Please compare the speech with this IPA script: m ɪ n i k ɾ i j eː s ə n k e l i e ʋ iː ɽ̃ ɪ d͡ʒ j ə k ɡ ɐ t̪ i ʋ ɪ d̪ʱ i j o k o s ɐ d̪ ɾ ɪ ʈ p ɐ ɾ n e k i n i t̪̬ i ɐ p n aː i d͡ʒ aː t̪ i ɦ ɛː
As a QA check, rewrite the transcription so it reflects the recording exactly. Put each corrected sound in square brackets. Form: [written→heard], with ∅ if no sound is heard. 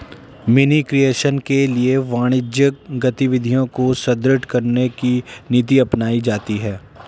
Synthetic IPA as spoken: m ɪ n i k ɾ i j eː [s→ʃ] ə n k e l i e ʋ [iː→aː] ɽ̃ ɪ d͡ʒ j ə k ɡ ɐ t̪ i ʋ ɪ d̪ʱ i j [o→õ] k o s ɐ d̪ ɾ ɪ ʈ [p→k] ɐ ɾ n e k i n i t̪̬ i ɐ p n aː i d͡ʒ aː t̪ i ɦ ɛː

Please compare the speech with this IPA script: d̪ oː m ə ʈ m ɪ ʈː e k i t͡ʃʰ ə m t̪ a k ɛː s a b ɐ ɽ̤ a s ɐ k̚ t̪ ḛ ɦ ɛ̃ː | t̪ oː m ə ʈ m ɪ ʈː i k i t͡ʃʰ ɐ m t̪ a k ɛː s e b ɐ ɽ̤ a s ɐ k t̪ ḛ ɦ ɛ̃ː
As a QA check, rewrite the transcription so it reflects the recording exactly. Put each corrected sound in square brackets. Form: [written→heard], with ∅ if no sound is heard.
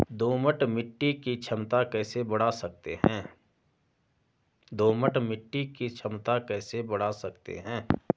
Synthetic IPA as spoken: d̪ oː m ə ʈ m ɪ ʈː [e→i] k i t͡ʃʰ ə m t̪ a k ɛː s [a→e] b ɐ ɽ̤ a s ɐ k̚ t̪ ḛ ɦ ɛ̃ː | [t̪→d̪] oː m ə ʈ m ɪ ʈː i k i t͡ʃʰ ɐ m t̪ a k ɛː s e b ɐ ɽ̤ a s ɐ k t̪ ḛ ɦ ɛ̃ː

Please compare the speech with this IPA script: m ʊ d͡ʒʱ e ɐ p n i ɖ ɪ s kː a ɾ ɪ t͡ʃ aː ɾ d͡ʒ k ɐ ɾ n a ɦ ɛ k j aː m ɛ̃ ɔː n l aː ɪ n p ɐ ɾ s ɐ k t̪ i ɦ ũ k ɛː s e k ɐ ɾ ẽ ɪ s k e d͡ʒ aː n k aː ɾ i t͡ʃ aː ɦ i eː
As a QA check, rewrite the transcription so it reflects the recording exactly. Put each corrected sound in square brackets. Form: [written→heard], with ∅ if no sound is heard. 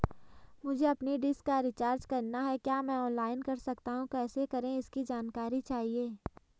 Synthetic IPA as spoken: m ʊ d͡ʒʱ e ɐ p n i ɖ ɪ s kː a ɾ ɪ t͡ʃ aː ɾ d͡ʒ k ɐ ɾ n a ɦ ɛ k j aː m ɛ̃ ɔː n l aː ɪ n [p→k] ɐ ɾ s ɐ k t̪ [i→a] ɦ ũ k ɛː s e k ɐ ɾ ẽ ɪ s k [e→i] d͡ʒ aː n k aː ɾ i t͡ʃ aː ɦ i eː

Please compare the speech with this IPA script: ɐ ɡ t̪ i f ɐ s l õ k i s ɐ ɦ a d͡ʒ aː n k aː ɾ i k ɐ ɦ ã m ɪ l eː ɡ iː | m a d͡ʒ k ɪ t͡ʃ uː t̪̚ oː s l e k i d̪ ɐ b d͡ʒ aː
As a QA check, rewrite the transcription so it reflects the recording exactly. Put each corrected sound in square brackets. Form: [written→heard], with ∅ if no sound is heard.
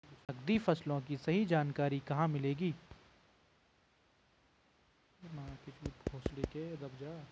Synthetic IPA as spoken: ɐ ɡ [t̪→d̪] i f ɐ s l õ k i s ɐ ɦ [a→i] d͡ʒ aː n k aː ɾ i k ɐ ɦ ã m ɪ l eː ɡ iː | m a [d͡ʒ→∅] k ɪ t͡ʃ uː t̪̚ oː s l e k [i→e] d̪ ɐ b d͡ʒ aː

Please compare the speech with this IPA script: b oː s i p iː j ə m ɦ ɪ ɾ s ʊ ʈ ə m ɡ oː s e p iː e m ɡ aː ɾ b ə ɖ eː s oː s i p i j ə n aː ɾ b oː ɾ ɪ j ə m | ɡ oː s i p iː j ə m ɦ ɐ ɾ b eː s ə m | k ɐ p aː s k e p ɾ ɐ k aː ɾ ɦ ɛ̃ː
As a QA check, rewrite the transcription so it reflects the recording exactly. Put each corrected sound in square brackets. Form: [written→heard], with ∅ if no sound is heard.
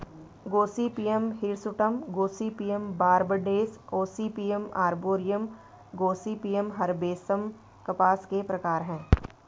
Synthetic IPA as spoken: [b→ɡ] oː s i p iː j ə m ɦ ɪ ɾ s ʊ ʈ ə m ɡ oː s [e→i] p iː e m [ɡ→b] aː ɾ b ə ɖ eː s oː s i p i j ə [n→m] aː ɾ b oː ɾ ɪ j ə m | ɡ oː s i p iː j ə m ɦ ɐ ɾ b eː s ə m | k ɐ p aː s k e p ɾ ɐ k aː ɾ ɦ ɛ̃ː

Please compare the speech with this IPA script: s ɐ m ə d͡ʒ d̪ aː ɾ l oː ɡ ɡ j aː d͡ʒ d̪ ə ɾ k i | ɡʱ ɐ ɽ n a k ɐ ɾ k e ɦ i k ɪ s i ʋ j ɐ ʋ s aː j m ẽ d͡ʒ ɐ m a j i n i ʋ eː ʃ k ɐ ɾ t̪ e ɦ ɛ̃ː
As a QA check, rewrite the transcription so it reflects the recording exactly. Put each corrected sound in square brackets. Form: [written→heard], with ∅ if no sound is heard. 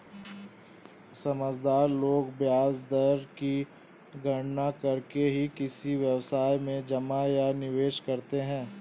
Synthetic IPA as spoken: s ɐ m ə d͡ʒ d̪ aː ɾ l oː ɡ [ɡ→b] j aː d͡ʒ d̪ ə ɾ k i | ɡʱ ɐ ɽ n a k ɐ ɾ k e ɦ i k ɪ s i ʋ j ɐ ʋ s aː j m ẽ d͡ʒ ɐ m a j [i→a] n [i→ɪ] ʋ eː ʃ k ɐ ɾ t̪ e ɦ ɛ̃ː

